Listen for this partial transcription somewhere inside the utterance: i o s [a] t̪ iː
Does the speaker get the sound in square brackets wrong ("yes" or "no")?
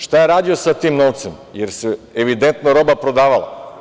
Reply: no